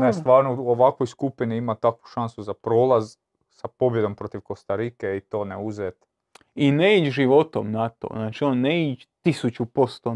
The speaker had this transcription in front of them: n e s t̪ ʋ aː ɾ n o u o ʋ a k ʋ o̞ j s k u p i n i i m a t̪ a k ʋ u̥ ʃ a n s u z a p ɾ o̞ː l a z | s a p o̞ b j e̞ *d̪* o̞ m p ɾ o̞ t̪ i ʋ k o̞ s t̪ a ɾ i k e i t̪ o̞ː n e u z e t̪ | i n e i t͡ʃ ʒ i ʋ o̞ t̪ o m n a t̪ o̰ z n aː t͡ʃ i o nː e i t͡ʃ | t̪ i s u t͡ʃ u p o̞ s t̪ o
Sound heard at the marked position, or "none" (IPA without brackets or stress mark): d̪